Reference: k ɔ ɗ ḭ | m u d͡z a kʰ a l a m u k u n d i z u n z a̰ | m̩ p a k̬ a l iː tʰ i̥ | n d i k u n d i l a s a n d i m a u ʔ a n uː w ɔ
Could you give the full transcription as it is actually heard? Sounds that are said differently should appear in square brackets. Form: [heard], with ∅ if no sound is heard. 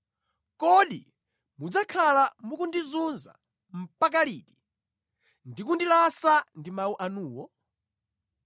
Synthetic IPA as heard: k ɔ ɗ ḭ | m u d͡z a kʰ a l a m u k u n d i z u n z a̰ | m̩ p a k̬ a l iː [t] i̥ | n d i k u n d i l a s a n d i m a u ʔ a n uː w ɔ